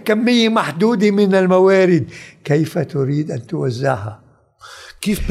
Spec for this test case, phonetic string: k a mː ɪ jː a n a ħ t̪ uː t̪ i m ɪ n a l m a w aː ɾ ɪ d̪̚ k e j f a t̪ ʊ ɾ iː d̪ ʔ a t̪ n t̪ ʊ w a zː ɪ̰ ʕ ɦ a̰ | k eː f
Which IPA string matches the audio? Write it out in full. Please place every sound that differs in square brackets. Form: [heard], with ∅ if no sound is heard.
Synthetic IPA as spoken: k a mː ɪ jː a [m] a ħ [d̪] uː [d̪] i m ɪ n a l m a w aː ɾ ɪ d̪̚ k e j f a t̪ ʊ ɾ iː d̪ ʔ a [∅] n t̪ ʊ w a zː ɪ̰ ʕ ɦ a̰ | k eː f